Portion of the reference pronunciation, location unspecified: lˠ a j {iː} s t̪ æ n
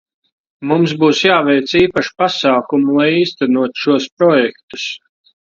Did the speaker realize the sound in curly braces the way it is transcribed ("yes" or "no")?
yes